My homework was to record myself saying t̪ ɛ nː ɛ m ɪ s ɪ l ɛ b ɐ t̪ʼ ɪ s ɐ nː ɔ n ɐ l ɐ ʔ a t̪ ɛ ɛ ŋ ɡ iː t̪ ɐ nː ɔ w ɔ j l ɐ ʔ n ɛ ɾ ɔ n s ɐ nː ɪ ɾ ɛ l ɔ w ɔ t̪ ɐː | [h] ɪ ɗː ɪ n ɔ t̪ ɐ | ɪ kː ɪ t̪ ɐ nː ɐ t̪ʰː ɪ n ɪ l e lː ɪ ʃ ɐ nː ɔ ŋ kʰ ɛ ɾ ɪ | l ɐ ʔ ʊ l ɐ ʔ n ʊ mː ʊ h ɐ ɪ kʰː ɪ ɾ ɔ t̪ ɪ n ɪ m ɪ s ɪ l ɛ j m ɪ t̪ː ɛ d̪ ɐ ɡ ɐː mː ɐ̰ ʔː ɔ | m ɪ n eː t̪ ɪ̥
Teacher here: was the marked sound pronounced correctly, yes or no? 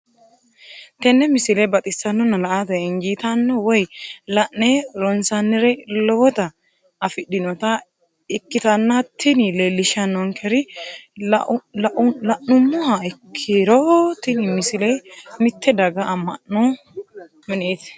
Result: no